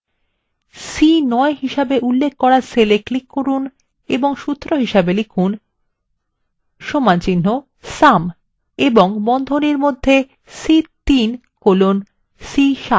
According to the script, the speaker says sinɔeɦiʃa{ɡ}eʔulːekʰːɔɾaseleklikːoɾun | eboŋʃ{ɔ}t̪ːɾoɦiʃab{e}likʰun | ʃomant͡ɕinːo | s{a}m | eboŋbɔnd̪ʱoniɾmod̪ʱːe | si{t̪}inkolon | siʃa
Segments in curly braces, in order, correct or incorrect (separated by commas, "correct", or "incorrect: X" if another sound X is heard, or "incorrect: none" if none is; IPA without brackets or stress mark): incorrect: b, incorrect: u, correct, correct, correct